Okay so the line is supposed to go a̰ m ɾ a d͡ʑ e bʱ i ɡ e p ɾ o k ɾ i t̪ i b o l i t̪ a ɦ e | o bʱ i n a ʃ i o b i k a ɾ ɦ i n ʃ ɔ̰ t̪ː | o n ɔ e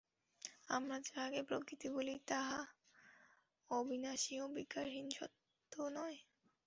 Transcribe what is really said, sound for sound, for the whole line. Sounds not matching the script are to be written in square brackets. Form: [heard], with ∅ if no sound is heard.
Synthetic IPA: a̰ m ɾ a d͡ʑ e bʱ [a] ɡ e p ɾ o k ɾ i t̪ i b o l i t̪ a ɦ [a] | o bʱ i n a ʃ i o b i k a ɾ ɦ i n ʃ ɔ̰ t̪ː | o n ɔ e